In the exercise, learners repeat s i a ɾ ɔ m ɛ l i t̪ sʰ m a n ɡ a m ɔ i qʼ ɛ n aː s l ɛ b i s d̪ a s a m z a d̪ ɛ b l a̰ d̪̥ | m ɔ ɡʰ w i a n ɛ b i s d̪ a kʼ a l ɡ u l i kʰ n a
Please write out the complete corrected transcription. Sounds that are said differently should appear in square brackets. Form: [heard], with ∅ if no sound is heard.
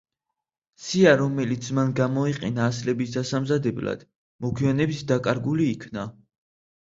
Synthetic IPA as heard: s i a ɾ ɔ m ɛ l i t̪ sʰ m a n ɡ a m ɔ i qʼ ɛ n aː s l ɛ b i s d̪ a s a m z a d̪ ɛ b l a̰ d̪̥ | m ɔ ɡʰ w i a n ɛ b i s d̪ a kʼ a [ɾ] ɡ u l [iː] kʰ n a